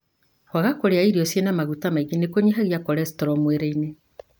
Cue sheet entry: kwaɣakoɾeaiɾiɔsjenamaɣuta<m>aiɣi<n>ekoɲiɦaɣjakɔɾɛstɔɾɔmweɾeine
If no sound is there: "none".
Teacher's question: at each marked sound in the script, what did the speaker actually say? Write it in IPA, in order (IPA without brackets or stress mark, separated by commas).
m, n